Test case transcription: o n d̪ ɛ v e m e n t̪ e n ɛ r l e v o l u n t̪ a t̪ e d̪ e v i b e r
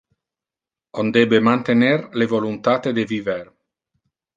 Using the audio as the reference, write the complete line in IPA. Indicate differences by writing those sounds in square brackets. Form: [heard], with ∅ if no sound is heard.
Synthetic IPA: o n d̪ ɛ [b] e m [a] n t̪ e n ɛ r l e v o l u n t̪ a t̪ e d̪ e v i [v] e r